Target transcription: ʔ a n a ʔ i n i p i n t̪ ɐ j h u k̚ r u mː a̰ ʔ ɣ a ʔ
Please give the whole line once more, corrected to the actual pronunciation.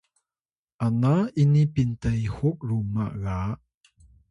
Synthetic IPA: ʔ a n a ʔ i n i p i n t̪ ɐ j h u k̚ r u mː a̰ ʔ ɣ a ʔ